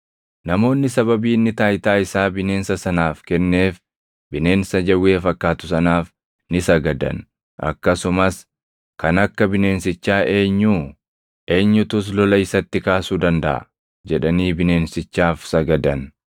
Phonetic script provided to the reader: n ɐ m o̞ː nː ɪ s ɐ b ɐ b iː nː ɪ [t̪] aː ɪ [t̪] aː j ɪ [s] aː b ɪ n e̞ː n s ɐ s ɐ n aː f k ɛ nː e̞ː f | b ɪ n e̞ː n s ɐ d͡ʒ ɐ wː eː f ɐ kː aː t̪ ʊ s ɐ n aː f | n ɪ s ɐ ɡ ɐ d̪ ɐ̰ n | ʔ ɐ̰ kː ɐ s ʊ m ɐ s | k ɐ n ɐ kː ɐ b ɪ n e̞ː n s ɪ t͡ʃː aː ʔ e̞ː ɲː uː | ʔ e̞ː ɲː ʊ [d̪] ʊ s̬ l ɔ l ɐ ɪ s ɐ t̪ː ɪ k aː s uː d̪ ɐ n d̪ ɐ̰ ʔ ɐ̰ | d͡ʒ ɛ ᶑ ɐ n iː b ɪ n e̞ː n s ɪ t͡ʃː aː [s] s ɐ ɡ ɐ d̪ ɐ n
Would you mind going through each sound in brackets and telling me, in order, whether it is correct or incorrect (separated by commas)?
correct, correct, correct, incorrect, incorrect